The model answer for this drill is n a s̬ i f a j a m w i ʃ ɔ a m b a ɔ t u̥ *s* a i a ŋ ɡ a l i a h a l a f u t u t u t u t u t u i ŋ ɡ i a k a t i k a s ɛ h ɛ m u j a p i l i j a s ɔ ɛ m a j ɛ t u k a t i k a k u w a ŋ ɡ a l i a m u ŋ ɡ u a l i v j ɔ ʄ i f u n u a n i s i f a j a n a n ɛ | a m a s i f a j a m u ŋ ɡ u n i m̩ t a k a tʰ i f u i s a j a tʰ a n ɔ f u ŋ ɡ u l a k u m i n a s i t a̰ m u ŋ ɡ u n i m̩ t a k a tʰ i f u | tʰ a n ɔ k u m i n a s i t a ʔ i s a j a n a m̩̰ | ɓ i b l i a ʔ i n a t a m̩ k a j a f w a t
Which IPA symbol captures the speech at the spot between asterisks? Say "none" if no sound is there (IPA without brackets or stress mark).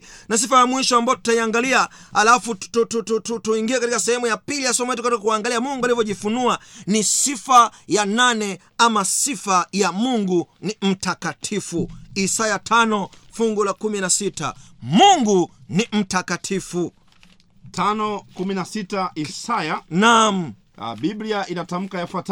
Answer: t